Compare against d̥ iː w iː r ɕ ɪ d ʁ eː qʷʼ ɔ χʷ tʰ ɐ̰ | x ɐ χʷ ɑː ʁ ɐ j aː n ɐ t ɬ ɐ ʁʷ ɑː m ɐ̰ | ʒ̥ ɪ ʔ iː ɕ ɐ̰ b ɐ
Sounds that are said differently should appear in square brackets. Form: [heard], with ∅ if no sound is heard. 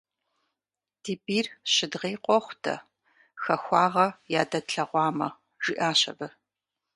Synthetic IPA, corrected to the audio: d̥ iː [b] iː r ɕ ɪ d ʁ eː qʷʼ ɔ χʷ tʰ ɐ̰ | x ɐ [xʷ] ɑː ʁ ɐ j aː [d] ɐ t ɬ ɐ ʁʷ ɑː m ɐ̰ | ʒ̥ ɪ ʔ [aː] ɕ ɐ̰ b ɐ

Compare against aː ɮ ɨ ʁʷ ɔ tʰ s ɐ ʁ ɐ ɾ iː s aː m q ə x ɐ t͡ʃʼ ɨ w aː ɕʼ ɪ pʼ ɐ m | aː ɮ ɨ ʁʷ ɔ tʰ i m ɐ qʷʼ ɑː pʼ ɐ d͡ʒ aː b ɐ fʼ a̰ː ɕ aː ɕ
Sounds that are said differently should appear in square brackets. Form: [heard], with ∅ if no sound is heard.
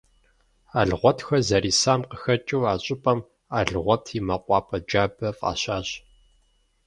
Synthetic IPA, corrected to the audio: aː ɮ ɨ ʁʷ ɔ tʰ [x] ɐ [z] ɐ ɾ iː s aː m q ə x ɐ t͡ʃʼ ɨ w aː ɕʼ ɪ pʼ ɐ m | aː ɮ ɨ ʁʷ ɔ tʰ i m ɐ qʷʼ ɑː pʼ ɐ d͡ʒ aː b ɐ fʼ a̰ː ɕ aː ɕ

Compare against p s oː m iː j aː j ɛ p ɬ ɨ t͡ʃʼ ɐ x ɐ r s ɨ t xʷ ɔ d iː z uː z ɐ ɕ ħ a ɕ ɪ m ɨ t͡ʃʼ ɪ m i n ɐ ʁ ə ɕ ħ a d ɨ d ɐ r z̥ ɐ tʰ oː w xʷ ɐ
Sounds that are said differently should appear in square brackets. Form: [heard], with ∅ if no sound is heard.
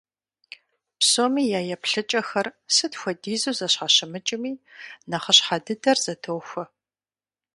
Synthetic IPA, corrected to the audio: p s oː m iː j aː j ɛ p ɬ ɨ t͡ʃʼ ɐ x ɐ r s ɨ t xʷ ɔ d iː z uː z ɐ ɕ ħ a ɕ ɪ m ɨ t͡ʃʼ ɪ m [iː] n ɐ [χ] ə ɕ ħ a d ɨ d ɐ r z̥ ɐ tʰ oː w xʷ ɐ

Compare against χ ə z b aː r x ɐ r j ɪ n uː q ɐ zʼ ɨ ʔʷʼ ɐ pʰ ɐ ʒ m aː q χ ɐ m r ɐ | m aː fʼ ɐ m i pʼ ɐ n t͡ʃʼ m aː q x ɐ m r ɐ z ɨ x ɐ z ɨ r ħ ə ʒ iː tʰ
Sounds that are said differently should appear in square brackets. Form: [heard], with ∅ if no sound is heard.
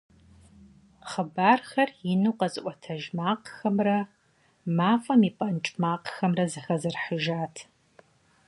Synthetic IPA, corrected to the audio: χ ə [∅] b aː r x ɐ r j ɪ n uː q ɐ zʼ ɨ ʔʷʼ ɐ [tʰ] ɐ ʒ m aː q [x] ɐ m r ɐ | m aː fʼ ɐ m i pʼ ɐ n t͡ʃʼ m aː q x ɐ m r ɐ z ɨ x ɐ z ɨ r ħ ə ʒ [aː] tʰ

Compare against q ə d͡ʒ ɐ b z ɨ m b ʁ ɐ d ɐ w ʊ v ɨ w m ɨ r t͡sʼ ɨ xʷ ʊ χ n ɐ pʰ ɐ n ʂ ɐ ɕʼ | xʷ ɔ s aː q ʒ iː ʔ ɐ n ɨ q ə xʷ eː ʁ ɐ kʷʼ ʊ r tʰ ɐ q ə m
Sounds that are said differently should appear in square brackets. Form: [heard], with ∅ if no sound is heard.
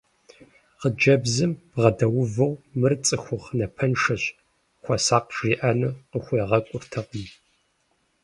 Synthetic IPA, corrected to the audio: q ə d͡ʒ ɐ b z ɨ m b ʁ ɐ d ɐ w ʊ v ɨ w m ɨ r t͡sʼ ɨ xʷ ʊ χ n ɐ pʰ ɐ n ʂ ɐ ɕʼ | xʷ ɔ s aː q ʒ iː ʔ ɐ n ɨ q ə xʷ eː ʁ ɐ kʷʼ ʊ r tʰ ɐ q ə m

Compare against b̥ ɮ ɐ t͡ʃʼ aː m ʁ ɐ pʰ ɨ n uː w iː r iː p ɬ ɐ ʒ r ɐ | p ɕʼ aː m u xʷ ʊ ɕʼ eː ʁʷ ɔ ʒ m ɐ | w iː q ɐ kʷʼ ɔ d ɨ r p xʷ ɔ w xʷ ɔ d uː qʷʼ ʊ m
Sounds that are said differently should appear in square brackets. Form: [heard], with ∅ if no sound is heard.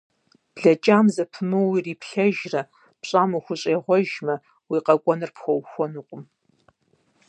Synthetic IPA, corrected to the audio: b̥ ɮ ɐ t͡ʃʼ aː m [z] ɐ pʰ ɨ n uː w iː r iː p ɬ ɐ ʒ r ɐ | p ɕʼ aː m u xʷ ʊ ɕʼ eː ʁʷ ɔ ʒ m ɐ | w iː q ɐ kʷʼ ɔ [n] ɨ r p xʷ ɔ w xʷ ɔ [n] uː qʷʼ ʊ m

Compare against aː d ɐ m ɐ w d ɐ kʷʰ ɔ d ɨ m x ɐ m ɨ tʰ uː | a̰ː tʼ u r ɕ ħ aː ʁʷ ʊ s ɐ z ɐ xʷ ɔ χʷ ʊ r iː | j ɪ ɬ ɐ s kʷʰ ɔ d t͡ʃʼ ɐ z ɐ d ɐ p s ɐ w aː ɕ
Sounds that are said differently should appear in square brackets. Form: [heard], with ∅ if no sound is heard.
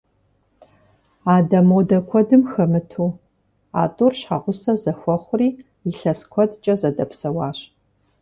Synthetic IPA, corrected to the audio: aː d ɐ m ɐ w d ɐ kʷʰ ɔ d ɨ m x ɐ m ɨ tʰ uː | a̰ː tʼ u r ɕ ħ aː ʁʷ ʊ s ɐ z ɐ xʷ ɔ χʷ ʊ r iː | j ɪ ɬ ɐ s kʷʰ ɔ d t͡ʃʼ ɐ z ɐ d ɐ p s ɐ w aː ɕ

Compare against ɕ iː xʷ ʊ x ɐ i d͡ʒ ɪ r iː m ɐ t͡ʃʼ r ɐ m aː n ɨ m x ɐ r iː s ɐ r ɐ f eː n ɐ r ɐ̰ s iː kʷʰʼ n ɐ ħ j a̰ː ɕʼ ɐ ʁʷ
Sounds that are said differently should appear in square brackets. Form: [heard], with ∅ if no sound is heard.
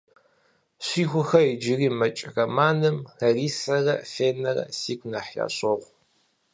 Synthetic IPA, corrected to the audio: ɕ iː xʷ ʊ x ɐ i d͡ʒ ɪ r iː m ɐ t͡ʃʼ r ɐ m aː n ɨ m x ɐ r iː s ɐ r ɐ f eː n ɐ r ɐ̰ s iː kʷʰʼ n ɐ ħ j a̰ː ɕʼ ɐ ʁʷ

